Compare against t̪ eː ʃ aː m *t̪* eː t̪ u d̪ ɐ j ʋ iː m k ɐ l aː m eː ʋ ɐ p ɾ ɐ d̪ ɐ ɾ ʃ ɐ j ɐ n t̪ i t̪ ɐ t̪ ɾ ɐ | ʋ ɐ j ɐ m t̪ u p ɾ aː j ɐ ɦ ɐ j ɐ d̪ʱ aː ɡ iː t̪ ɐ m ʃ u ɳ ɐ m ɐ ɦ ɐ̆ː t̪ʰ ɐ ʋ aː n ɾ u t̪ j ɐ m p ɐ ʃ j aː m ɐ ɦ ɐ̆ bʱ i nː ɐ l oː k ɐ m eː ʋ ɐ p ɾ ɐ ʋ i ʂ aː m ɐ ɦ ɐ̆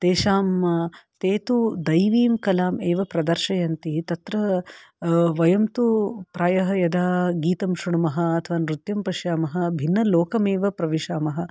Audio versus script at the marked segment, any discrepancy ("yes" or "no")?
no